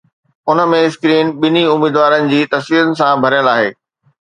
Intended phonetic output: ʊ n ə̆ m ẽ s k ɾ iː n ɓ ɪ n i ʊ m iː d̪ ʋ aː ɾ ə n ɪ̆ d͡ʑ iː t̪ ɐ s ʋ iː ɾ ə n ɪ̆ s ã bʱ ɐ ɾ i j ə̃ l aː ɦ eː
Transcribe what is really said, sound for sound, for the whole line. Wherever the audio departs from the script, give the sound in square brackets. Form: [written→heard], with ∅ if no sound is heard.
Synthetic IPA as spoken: ʊ n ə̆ m ẽ s k ɾ iː n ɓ ɪ n i ʊ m iː d̪ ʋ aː ɾ ə n ɪ̆ d͡ʑ iː t̪ ɐ s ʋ iː ɾ ə n ɪ̆ s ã bʱ ɐ ɾ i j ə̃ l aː ɦ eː

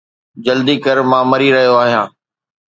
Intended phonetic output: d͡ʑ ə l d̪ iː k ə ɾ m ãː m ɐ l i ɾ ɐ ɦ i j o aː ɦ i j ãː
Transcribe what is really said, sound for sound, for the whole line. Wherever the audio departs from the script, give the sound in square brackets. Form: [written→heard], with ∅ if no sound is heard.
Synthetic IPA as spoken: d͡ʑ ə l d̪ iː k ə ɾ m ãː m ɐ [l→ɾ] i ɾ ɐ ɦ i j o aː ɦ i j ãː

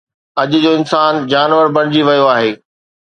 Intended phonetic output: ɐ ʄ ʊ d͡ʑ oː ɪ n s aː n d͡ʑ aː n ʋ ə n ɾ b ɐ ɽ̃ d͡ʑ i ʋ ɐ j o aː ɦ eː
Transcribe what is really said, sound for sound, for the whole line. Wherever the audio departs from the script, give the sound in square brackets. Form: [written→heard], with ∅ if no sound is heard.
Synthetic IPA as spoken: ɐ ʄ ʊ d͡ʑ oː ɪ n s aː n d͡ʑ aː n ʋ ə [n→∅] ɾ b ɐ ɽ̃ d͡ʑ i ʋ ɐ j o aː ɦ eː

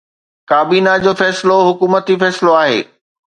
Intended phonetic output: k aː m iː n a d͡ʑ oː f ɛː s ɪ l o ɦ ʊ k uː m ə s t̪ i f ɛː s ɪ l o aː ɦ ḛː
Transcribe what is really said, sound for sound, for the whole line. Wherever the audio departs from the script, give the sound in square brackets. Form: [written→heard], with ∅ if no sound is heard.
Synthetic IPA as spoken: k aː [m→b] iː n a d͡ʑ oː f ɛː s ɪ l o ɦ ʊ k uː m ə [s→∅] t̪ i f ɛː s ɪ l o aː ɦ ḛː

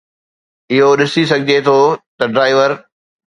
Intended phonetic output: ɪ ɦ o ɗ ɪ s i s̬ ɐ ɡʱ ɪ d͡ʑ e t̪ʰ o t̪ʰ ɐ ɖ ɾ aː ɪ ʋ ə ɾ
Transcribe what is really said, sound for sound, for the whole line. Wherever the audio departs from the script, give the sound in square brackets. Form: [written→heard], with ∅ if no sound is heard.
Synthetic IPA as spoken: ɪ ɦ o ɗ ɪ s i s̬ ɐ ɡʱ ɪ d͡ʑ e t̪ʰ o [t̪ʰ→t̪] ɐ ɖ ɾ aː ɪ ʋ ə ɾ

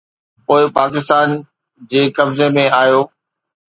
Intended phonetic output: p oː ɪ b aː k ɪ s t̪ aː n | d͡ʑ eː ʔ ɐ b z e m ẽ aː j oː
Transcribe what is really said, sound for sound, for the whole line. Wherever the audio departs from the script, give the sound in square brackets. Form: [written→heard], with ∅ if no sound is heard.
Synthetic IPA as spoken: p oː ɪ [b→p] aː k ɪ s t̪ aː n | d͡ʑ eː [ʔ→k] ɐ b z e m ẽ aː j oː

